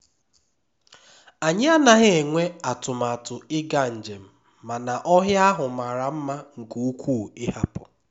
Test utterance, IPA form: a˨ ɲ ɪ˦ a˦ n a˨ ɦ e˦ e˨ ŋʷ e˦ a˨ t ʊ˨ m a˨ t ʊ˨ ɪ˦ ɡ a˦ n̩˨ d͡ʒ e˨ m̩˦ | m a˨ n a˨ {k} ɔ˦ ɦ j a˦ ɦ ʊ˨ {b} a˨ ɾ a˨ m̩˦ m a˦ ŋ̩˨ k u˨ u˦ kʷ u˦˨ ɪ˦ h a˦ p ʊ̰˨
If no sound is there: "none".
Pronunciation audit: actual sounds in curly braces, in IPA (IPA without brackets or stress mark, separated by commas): ʔ, m